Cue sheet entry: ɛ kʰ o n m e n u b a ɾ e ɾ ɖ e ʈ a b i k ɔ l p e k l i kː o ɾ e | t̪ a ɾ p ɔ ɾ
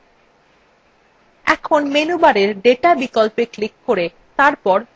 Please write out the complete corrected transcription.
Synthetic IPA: ɛ kʰ o n m e n u b a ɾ e ɾ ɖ e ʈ a b i k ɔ l p e k l i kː o ɾ e | t̪ a ɾ p ɔ ɾ